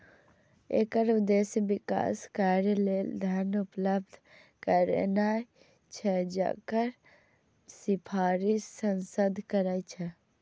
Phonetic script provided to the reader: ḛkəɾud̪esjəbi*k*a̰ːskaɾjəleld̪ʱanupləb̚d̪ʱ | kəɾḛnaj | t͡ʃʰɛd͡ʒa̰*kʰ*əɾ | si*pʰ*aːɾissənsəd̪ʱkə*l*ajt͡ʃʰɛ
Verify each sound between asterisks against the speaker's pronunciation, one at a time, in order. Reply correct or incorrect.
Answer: correct, incorrect: k, correct, incorrect: ɾ

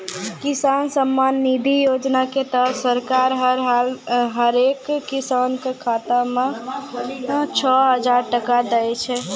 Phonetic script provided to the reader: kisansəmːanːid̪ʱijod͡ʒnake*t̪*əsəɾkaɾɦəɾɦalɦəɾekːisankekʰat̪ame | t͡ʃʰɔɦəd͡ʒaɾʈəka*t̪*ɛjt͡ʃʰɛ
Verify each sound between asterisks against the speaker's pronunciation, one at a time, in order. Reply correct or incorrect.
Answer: correct, incorrect: d̪

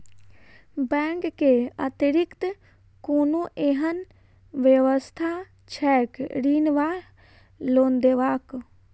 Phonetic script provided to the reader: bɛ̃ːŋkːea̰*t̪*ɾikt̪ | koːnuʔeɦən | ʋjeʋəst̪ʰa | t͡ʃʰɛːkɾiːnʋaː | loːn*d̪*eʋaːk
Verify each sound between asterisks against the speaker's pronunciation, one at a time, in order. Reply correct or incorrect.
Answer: correct, correct

